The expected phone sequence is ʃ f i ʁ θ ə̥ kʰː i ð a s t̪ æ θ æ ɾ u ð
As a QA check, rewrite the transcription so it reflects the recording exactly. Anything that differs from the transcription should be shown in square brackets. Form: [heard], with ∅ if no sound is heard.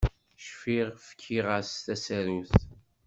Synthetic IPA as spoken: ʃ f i ʁ [f] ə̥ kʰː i [ʁ] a s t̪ æ [s] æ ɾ u [θ]